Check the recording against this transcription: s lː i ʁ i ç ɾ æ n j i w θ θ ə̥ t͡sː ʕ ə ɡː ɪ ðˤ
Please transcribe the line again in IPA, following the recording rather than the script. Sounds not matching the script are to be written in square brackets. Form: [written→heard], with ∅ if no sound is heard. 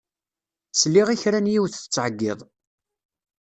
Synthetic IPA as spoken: s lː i ʁ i ç ɾ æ n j i w θ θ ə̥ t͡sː ʕ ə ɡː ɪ ðˤ